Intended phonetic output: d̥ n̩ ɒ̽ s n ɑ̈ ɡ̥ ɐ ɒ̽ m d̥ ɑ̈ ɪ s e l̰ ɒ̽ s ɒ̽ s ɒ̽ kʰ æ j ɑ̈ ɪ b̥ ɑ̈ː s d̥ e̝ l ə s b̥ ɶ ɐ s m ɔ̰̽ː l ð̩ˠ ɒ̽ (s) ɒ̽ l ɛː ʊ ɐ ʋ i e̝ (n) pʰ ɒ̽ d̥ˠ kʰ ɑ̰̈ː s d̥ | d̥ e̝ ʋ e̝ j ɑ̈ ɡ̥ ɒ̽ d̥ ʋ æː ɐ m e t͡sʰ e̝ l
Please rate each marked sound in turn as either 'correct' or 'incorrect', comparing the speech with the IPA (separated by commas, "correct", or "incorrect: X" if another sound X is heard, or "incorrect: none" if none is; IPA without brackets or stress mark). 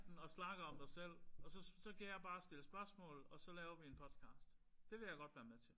correct, correct